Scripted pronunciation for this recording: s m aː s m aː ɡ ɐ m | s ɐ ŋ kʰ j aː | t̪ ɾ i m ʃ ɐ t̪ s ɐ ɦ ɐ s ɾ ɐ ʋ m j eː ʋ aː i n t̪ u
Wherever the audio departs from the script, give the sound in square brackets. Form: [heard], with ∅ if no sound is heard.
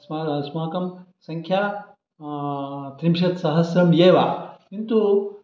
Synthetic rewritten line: s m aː s m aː [k] ɐ m | s ɐ ŋ kʰ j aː | t̪ ɾ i m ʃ ɐ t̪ s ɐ ɦ ɐ s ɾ ɐ [∅] m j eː ʋ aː i n t̪ u